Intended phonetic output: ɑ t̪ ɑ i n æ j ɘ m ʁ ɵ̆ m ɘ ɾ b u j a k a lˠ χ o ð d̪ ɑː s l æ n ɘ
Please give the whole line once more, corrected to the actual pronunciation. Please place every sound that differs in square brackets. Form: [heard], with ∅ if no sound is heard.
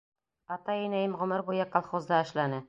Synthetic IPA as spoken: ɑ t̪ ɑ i n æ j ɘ m ʁ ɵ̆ m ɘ ɾ b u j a k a lˠ χ o [z] d̪ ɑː [ʃ] l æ n ɘ